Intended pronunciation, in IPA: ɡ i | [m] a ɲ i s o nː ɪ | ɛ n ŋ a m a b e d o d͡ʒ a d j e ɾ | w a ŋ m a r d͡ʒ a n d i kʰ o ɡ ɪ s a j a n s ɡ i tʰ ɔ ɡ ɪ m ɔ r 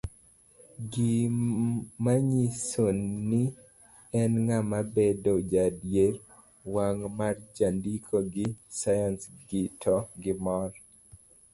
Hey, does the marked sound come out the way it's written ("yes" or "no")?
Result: yes